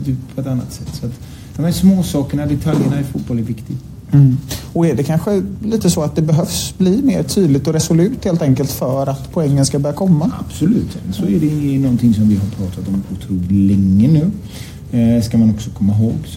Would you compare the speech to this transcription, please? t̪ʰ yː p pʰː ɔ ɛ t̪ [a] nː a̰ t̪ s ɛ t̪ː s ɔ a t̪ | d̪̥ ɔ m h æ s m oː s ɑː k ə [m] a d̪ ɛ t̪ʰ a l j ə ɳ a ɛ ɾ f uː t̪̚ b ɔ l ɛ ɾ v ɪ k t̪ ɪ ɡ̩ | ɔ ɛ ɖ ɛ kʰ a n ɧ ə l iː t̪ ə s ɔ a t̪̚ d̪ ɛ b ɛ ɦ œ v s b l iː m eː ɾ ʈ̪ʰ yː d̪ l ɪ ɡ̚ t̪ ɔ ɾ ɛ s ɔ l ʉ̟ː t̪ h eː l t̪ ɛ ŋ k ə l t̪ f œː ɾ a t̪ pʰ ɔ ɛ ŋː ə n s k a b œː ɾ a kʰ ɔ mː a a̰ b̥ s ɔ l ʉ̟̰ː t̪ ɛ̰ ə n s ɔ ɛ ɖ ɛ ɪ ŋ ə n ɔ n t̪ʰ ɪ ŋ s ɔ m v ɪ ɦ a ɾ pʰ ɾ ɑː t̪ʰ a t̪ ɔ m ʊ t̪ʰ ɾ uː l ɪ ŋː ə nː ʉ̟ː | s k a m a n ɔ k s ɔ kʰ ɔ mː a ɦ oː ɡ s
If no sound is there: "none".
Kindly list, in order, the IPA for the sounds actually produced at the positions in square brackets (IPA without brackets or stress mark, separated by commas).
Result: a, ɳ